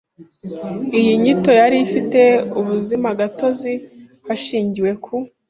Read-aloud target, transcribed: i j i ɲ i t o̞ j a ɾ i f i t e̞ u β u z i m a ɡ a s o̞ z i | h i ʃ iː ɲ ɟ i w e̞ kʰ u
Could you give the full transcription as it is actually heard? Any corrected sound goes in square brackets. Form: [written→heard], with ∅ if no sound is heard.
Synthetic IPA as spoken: i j i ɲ i t o̞ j a ɾ i f i t e̞ u β u z i m a ɡ a [s→t] o̞ z i | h [i→a] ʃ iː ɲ ɟ i w e̞ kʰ u